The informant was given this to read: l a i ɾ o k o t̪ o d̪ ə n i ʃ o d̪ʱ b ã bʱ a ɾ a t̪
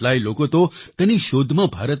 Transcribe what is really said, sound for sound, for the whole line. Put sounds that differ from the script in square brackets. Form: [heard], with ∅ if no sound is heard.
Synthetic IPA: l a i [l] o k o t̪ o [t̪] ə n i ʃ o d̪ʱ [m] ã bʱ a ɾ [ə] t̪